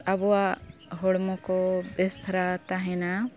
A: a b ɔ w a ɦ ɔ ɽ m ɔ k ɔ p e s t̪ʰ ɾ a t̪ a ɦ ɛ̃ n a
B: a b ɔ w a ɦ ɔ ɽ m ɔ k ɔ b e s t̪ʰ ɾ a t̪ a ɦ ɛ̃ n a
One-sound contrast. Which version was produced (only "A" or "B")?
B